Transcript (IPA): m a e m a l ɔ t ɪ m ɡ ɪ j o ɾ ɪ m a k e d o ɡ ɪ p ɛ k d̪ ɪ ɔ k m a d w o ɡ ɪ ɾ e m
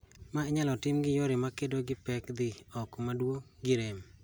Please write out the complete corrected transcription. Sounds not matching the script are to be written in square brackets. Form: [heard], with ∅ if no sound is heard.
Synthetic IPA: m a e [ɲ] a l ɔ t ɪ m ɡ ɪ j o ɾ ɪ m a k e d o ɡ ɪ p ɛ k d̪ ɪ ɔ k m a d w o ɡ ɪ ɾ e m